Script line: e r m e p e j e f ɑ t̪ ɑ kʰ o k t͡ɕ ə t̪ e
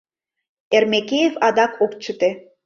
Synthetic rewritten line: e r m e k e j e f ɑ d̪ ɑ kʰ o k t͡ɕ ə t̪ e